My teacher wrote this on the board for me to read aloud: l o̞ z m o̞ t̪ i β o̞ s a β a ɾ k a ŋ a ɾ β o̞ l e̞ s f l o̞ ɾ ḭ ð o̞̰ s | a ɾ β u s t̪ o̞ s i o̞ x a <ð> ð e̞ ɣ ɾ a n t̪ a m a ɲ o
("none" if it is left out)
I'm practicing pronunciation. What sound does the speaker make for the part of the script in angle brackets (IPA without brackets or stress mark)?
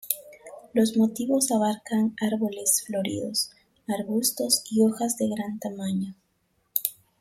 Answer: z